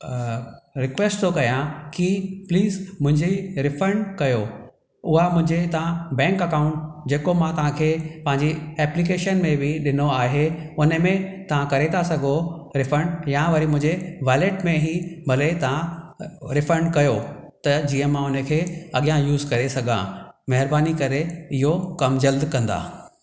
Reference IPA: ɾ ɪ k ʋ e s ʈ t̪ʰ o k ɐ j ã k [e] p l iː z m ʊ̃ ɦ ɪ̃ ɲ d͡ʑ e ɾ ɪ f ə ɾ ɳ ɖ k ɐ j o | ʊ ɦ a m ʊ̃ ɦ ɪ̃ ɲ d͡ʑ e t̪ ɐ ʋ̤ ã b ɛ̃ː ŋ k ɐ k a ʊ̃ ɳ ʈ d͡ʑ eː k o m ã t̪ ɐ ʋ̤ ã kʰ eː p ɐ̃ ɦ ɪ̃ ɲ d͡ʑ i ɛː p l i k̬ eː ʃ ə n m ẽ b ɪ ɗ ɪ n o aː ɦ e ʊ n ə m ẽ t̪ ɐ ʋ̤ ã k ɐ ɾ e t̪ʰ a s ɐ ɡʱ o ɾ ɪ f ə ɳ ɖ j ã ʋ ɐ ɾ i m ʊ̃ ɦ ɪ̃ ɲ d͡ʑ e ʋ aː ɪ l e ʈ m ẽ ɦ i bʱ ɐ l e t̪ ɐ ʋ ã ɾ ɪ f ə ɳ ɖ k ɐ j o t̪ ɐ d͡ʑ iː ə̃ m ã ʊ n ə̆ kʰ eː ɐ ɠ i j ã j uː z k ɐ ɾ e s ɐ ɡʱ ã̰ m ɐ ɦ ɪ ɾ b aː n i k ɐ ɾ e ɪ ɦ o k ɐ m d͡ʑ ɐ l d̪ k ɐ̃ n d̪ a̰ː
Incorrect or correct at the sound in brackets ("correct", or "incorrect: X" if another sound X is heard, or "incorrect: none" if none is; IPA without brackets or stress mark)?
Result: incorrect: i